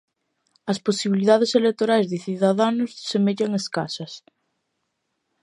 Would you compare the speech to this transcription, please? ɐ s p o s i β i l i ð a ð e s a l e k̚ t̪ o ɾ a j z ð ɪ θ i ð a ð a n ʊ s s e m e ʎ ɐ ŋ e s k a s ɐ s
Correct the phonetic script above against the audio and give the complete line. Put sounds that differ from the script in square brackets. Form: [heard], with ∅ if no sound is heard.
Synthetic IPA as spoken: ɐ s p o s i β i l i ð a ð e s [e] l e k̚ t̪ o ɾ a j z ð ɪ θ i ð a ð a n ʊ s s e m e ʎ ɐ ŋ e s k a s ɐ s